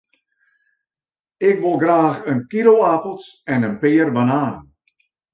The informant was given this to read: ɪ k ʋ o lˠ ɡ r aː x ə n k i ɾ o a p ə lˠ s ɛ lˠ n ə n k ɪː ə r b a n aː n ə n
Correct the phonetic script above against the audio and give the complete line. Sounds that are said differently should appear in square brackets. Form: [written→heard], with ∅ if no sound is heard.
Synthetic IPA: ɪ k ʋ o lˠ ɡ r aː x ə n k i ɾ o a p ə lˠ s ɛ [lˠ→∅] n ə n [k→p] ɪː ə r b a n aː n ə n